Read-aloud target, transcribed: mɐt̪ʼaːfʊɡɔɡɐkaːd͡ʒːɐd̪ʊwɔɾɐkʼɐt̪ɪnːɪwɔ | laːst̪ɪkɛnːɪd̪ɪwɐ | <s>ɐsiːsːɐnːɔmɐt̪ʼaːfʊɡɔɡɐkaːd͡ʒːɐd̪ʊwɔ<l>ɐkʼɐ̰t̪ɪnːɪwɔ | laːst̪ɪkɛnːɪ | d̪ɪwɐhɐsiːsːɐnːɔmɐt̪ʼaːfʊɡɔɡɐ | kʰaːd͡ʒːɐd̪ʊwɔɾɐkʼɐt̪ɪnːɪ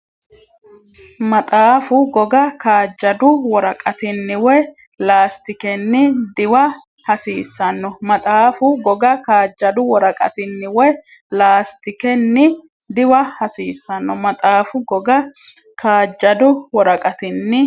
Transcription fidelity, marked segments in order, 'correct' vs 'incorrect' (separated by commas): incorrect, incorrect